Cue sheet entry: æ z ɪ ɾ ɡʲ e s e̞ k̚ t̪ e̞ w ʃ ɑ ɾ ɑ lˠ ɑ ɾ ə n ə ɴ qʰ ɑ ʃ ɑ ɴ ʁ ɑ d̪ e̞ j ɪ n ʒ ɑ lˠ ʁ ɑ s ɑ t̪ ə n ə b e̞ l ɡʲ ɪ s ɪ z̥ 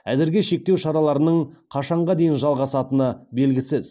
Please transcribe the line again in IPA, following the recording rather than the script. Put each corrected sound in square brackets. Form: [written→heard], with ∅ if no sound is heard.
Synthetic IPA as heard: æ z ɪ ɾ ɡʲ e [s→ʃ] e̞ k̚ t̪ e̞ w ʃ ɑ ɾ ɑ lˠ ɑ ɾ ə n ə ɴ qʰ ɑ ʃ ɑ ɴ ʁ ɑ d̪ e̞ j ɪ n ʒ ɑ lˠ ʁ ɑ s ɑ t̪ ə n ə b e̞ l ɡʲ ɪ s ɪ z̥